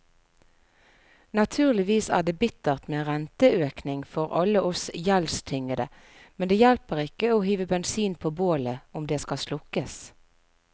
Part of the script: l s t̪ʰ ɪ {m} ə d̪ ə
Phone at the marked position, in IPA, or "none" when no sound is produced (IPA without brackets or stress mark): ŋ